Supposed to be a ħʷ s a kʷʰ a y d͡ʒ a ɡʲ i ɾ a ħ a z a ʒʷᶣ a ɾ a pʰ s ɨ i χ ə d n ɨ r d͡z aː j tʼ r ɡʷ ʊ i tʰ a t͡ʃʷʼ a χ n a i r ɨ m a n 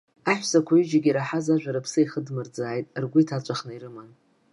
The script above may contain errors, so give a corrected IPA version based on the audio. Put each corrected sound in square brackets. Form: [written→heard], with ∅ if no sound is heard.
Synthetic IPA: a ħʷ s a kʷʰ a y d͡ʒ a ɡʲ i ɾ a ħ a z a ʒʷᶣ a ɾ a pʰ s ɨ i χ ə d [n→m] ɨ r d͡z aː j tʼ r ɡʷ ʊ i tʰ a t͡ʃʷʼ a χ n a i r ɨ m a n